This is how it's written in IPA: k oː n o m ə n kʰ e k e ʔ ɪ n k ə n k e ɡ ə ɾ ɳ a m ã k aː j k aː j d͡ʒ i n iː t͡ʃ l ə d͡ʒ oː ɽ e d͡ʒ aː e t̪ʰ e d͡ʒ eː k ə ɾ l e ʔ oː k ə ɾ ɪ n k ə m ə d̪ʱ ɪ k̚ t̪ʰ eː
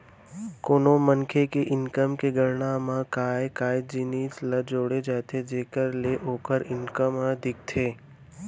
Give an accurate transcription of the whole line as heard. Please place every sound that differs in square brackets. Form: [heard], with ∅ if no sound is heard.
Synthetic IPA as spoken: k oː n o m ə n kʰ e k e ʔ ɪ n k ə [m] k e ɡ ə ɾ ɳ a m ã k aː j k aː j d͡ʒ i n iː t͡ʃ l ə d͡ʒ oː ɽ e d͡ʒ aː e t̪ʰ e d͡ʒ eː k ə ɾ l e ʔ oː k ə ɾ ɪ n k ə m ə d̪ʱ ɪ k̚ t̪ʰ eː